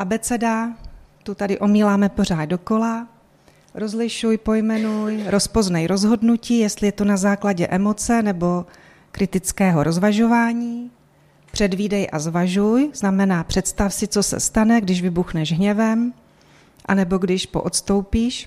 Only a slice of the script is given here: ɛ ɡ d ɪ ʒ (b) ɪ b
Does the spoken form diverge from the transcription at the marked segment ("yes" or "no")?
yes